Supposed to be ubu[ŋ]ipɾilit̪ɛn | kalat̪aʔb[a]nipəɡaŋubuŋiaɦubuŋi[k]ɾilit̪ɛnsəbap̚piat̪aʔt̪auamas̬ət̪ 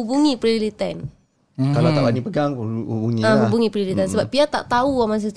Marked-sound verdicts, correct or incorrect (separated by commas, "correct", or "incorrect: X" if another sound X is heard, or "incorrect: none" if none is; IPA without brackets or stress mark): correct, correct, incorrect: p